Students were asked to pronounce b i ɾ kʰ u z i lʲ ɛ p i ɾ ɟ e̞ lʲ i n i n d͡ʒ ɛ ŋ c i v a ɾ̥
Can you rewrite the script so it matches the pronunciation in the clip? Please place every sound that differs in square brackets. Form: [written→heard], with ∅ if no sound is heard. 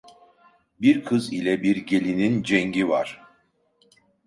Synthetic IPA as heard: b i ɾ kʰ [u→ɯ] z i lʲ ɛ [p→b] i ɾ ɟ e̞ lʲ i n i n d͡ʒ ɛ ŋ [c→ɟ] i v a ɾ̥